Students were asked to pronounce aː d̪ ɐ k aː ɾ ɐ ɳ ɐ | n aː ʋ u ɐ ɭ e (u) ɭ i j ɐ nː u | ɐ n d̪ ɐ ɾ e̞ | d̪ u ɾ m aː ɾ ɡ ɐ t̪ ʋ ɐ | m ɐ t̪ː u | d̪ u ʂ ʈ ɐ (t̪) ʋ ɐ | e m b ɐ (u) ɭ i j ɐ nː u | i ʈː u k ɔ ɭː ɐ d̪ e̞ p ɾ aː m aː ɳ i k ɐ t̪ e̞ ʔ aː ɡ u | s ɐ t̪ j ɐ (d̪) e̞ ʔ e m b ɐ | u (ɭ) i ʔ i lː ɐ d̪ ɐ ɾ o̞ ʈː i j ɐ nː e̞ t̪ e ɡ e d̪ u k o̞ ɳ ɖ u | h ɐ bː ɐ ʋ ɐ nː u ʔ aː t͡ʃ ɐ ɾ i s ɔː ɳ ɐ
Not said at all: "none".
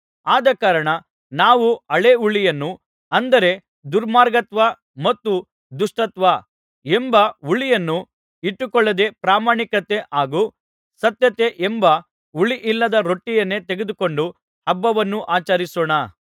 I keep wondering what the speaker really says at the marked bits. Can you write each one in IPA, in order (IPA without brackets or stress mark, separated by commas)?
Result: u, t̪, u, t̪, ɭ